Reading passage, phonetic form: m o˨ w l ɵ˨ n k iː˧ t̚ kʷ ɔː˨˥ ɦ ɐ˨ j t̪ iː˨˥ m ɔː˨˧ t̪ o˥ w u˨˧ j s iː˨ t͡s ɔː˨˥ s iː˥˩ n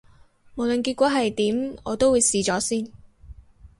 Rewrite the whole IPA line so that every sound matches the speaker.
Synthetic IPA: m o˨ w l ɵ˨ n k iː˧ t̚ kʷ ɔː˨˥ ɦ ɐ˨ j t̪ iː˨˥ m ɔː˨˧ t̪ o˥ w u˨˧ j s iː˨ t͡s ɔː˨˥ s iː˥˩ n